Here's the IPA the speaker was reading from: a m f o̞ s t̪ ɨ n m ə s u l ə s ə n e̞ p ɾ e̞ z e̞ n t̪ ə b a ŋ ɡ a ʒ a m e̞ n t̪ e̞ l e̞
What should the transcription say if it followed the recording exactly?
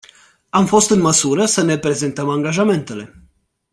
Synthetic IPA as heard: a m f o̞ s t̪ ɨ n m ə s u ɾ ə s ə n e̞ p ɾ e̞ z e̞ n t̪ ə m a ŋ ɡ a ʒ a m e̞ n t̪ e̞ l e̞